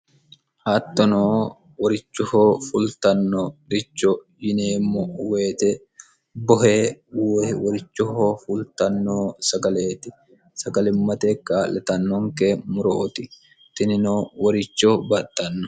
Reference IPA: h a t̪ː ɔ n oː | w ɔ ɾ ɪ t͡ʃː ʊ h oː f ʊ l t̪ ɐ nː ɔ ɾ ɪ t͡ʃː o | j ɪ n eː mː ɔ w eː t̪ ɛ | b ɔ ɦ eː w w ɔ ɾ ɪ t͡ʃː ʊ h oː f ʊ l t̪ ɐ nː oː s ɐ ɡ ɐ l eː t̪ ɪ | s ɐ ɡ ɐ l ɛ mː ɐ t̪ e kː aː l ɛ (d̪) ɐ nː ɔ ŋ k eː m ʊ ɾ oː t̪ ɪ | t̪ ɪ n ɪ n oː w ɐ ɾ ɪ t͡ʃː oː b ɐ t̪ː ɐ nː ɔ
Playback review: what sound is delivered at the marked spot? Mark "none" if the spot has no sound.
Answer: t̪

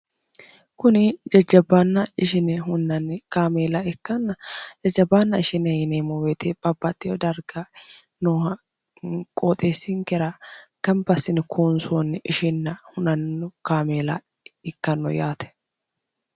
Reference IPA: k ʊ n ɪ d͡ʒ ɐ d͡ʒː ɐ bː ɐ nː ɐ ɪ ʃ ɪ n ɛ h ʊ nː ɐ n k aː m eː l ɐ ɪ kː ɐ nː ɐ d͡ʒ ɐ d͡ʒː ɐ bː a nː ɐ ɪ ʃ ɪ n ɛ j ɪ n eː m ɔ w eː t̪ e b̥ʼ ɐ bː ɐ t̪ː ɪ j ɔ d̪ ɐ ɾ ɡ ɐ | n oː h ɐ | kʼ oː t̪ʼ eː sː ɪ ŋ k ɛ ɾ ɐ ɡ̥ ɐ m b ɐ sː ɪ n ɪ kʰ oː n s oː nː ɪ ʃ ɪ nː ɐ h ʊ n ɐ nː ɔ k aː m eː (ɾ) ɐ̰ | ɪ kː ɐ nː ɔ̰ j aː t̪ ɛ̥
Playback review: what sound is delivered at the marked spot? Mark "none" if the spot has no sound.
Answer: l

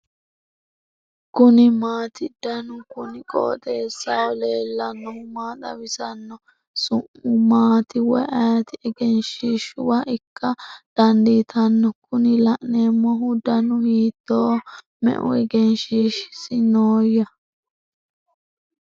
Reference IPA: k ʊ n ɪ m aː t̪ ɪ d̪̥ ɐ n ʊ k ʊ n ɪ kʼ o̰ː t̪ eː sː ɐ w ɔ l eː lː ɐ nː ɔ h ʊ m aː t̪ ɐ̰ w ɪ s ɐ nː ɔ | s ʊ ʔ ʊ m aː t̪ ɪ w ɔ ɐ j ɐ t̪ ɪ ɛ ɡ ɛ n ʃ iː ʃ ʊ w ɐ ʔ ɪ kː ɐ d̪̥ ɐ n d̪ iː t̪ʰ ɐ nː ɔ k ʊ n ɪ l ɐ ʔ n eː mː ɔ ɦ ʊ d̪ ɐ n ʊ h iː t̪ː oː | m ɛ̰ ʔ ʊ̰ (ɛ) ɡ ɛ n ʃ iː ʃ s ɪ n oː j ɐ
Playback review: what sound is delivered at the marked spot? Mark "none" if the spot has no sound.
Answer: ɛ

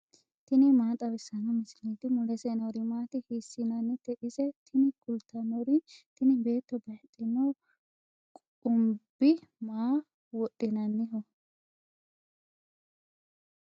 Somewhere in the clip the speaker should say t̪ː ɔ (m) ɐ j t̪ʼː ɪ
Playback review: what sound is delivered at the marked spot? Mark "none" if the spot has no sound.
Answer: b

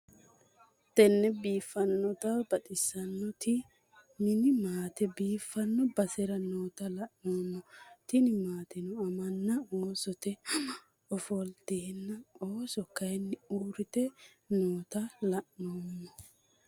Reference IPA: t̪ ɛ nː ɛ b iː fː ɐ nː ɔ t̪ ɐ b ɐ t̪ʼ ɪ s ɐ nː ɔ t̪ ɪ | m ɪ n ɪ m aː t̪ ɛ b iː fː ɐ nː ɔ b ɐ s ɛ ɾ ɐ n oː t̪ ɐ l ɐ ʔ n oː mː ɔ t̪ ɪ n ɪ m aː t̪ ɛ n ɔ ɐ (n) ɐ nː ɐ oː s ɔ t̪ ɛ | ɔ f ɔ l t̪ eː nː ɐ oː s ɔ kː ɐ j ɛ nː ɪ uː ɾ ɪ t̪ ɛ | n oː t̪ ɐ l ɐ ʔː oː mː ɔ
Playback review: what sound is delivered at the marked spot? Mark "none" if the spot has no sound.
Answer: m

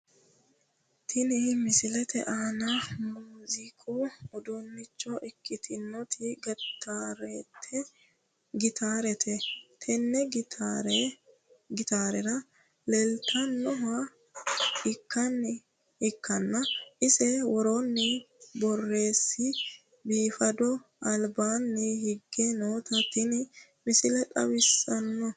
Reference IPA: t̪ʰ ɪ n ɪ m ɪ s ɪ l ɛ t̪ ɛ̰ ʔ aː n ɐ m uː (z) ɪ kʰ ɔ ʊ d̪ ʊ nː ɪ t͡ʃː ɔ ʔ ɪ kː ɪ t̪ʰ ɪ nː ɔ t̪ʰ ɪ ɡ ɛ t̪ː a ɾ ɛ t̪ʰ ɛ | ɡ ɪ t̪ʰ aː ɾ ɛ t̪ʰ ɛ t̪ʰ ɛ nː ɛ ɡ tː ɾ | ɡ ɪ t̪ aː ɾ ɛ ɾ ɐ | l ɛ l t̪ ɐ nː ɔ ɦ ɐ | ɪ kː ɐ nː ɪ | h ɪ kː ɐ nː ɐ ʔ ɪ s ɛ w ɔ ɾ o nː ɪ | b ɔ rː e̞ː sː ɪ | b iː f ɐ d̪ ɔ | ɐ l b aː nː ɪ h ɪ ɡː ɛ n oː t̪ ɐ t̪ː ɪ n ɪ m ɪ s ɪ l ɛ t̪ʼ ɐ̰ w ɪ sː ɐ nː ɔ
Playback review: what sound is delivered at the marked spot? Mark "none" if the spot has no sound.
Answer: z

